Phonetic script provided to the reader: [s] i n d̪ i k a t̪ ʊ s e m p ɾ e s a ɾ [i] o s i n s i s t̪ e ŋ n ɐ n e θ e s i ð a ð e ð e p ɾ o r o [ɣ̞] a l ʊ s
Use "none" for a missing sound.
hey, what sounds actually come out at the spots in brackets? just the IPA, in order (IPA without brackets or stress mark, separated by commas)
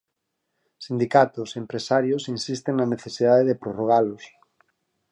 s, j, ɣ̞